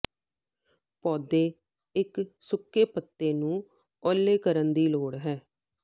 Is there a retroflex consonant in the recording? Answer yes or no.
yes